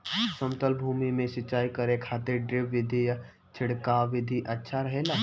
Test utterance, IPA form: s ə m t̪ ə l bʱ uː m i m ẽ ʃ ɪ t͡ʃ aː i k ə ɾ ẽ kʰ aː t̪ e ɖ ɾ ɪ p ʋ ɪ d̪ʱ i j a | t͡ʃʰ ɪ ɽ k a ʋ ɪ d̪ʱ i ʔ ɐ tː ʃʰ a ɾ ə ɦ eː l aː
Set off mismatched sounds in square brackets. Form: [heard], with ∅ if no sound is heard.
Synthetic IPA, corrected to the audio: s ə m t̪ ə l bʱ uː m i m ẽ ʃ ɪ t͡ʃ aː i k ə ɾ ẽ kʰ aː t̪ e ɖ ɾ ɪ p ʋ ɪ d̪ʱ i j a | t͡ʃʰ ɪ ɽ k a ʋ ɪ d̪ʱ i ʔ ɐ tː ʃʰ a ɾ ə ɦ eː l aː

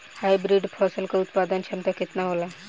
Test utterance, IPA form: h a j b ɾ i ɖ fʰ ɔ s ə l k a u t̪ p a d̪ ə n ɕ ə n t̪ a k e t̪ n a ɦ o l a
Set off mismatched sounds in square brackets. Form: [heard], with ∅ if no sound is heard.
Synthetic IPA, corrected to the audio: h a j b ɾ i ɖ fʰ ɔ s ə l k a u t̪ p a d̪ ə n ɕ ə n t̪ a k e t̪ n a ɦ o l a

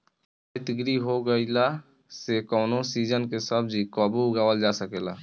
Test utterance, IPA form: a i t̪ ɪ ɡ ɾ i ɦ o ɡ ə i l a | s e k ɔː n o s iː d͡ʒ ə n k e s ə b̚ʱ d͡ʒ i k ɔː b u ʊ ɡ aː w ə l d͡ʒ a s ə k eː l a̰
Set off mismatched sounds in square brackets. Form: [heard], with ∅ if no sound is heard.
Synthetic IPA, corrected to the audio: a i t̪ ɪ ɡ ɾ i ɦ o ɡ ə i l a | s e k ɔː n o s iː d͡ʒ ə n k e s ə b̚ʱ d͡ʒ i k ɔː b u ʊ ɡ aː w ə l d͡ʒ a s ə k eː l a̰

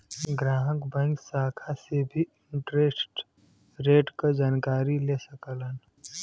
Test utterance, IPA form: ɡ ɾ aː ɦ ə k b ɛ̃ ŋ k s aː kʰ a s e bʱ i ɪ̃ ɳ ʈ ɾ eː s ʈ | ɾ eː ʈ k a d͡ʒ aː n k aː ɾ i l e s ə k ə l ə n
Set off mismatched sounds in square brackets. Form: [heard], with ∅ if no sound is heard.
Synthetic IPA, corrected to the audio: ɡ ɾ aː ɦ ə k b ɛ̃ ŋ k s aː kʰ a s e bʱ i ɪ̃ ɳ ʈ ɾ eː s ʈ | ɾ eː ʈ k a d͡ʒ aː n k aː ɾ i l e s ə k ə l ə n

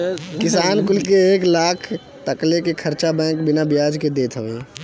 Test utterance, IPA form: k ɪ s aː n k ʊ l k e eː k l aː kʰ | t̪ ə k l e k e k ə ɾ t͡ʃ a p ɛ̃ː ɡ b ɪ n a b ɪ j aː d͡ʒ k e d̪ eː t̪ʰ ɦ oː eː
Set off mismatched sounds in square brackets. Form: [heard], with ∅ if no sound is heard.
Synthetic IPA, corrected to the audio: k ɪ s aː n k ʊ l k e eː k l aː kʰ | t̪ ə k l e k e [kʰ] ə ɾ t͡ʃ a [b] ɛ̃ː [k] b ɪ n a b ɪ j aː d͡ʒ k e d̪ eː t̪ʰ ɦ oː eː

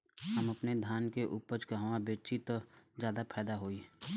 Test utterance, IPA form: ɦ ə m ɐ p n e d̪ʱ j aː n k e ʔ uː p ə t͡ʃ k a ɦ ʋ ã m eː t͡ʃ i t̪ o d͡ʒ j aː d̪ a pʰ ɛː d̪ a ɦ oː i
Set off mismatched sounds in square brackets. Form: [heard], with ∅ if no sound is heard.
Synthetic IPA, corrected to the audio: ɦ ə m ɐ p n e d̪ʱ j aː n k e ʔ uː p ə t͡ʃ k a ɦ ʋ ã [b] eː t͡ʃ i t̪ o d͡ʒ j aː d̪ a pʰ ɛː d̪ a ɦ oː i

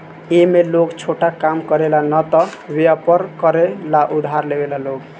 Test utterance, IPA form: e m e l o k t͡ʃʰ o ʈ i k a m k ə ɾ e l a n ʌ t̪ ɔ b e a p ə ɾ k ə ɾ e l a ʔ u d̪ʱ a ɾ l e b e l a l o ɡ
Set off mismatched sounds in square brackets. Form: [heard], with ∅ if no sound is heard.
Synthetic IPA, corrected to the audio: e m e l o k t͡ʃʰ o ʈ [a] k a m k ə ɾ e l a n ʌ t̪ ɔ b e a p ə ɾ k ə ɾ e l a ʔ u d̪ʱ a ɾ l e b e l a l o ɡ

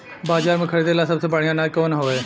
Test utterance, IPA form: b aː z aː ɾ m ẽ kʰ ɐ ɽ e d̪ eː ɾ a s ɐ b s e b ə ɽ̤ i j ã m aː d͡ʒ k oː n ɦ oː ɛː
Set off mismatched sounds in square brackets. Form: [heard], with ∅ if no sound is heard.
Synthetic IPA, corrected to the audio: b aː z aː ɾ m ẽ kʰ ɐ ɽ e d̪ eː [l] a s ɐ b s e b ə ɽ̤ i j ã [n] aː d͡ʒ k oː n ɦ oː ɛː

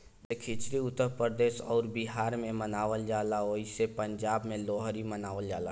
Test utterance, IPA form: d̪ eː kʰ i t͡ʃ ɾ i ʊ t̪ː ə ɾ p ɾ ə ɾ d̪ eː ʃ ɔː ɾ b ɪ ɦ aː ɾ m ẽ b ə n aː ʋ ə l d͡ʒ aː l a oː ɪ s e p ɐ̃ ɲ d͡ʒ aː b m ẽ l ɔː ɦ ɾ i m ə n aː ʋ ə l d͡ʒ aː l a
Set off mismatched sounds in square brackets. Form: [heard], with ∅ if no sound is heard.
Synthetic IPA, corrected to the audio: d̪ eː kʰ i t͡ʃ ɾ i ʊ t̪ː ə ɾ p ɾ ə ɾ d̪ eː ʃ ɔː ɾ b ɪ ɦ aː ɾ m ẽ [m] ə n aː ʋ ə l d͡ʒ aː l a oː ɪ s e p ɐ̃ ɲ d͡ʒ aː b m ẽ l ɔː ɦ ɾ i m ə n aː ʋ ə l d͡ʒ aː l a

